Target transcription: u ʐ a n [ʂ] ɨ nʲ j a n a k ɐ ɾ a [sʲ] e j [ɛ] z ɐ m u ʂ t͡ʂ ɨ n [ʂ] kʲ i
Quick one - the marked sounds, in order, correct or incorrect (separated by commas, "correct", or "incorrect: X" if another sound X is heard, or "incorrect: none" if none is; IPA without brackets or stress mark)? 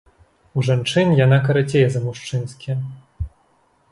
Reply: incorrect: t͡ʂ, incorrect: t͡sʲ, correct, incorrect: s